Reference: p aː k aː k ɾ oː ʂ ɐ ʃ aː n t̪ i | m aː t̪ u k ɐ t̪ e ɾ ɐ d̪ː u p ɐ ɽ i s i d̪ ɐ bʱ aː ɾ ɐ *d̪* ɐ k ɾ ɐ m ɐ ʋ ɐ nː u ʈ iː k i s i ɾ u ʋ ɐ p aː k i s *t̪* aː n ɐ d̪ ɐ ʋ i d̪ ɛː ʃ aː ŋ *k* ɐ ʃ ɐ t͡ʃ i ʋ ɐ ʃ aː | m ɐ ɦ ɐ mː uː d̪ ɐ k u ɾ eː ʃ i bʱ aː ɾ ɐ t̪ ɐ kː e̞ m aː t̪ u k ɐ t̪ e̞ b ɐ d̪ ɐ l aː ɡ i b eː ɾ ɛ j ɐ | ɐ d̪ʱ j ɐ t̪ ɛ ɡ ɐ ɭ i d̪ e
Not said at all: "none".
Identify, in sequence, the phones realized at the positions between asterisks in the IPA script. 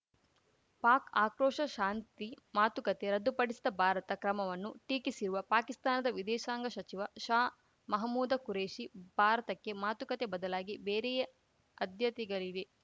t̪, t̪, ɡ

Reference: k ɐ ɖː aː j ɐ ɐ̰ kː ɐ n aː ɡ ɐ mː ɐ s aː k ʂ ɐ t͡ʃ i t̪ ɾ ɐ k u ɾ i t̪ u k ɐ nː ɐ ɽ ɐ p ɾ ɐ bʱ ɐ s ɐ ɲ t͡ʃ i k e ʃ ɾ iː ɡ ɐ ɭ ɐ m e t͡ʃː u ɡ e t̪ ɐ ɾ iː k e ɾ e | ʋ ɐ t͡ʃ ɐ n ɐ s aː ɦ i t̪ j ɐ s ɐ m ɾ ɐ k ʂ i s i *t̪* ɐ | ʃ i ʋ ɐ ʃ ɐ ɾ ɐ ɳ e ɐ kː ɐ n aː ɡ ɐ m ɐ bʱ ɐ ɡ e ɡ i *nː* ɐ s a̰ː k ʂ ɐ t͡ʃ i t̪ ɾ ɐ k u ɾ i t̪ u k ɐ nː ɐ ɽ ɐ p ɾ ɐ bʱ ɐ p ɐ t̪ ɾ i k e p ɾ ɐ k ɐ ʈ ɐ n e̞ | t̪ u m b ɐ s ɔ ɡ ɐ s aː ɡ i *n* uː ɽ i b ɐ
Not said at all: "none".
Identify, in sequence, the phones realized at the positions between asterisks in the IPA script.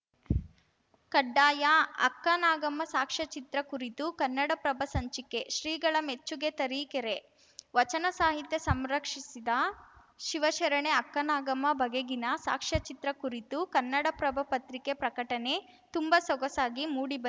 d̪, n, m

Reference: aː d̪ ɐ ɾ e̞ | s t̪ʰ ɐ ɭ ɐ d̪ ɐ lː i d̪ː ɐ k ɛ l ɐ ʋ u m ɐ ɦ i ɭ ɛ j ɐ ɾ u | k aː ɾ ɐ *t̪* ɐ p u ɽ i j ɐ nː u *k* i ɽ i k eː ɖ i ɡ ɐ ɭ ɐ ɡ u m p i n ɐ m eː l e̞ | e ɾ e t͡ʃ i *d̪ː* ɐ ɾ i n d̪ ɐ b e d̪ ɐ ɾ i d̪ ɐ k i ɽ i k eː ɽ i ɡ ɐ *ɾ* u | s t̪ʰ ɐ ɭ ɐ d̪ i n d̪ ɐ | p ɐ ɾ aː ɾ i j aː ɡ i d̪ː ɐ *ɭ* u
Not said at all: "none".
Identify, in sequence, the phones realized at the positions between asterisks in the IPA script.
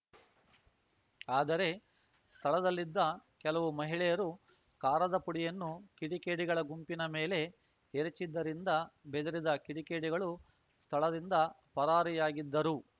d̪, k, d̪ː, ɭ, ɾ

